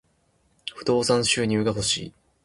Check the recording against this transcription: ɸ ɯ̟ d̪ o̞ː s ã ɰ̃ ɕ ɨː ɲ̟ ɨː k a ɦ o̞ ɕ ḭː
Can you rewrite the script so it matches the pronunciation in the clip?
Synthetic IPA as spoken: ɸ ɯ̟ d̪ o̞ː s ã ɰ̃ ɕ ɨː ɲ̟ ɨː ɡ a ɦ o̞ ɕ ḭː